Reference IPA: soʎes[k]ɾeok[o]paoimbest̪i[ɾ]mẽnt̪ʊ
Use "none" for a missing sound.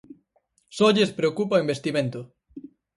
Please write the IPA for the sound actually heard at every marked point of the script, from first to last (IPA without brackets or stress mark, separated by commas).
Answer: p, u, none